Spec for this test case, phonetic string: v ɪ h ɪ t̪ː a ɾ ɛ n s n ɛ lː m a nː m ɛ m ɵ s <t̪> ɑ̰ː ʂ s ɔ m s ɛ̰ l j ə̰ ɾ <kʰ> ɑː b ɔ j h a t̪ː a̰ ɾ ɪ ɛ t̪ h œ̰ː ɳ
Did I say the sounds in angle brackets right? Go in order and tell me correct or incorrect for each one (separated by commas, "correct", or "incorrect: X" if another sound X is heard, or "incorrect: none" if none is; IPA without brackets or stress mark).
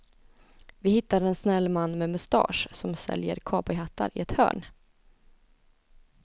correct, correct